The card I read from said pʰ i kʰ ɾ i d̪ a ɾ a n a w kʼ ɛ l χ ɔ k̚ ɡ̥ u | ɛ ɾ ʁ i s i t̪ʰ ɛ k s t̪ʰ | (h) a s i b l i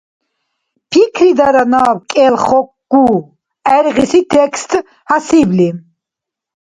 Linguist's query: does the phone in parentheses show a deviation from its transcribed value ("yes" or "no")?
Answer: no